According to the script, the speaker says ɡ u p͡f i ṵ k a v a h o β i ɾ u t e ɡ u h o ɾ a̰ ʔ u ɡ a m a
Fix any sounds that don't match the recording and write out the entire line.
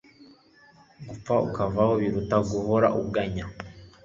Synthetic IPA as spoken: ɡ u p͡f a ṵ k a v a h o β i ɾ u t a ɡ u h o ɾ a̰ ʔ u ɡ a ɲ a